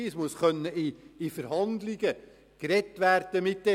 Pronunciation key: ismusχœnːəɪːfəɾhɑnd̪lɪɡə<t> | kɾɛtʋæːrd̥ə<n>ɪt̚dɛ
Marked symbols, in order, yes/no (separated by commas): no, no